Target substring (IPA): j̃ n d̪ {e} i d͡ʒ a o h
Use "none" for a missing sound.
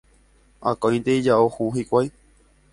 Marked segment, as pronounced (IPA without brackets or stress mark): e